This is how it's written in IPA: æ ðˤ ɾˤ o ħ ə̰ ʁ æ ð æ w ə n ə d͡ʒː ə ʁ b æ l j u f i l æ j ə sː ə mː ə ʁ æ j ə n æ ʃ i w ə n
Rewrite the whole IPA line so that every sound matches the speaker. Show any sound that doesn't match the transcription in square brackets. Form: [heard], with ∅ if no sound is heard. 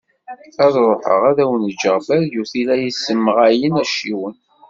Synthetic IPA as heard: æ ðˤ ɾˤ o ħ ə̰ ʁ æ ð æ w ə n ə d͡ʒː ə ʁ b æ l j u [θ] i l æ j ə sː ə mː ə ʁ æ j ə n æ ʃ i w ə n